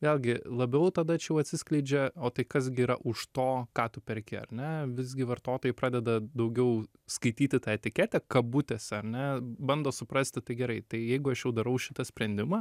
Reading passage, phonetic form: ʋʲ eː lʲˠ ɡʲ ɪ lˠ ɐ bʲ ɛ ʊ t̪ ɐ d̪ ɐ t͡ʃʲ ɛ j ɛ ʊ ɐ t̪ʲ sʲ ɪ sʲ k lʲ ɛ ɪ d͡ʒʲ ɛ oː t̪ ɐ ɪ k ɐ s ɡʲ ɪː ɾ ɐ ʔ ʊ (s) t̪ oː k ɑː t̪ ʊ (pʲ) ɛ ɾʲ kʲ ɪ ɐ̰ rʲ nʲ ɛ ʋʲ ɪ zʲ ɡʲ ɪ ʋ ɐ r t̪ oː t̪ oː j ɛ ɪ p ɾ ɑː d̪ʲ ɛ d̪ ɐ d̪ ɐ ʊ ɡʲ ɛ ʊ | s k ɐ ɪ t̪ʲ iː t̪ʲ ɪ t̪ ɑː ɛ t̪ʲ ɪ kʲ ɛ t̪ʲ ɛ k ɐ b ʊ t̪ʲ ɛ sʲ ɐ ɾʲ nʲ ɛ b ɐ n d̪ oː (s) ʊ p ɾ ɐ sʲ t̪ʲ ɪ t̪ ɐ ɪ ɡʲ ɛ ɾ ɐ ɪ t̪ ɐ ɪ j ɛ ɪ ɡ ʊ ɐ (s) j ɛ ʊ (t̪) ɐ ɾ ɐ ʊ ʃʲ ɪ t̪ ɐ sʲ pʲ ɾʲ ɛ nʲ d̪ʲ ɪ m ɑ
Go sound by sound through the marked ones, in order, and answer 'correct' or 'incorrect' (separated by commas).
incorrect, correct, correct, incorrect, incorrect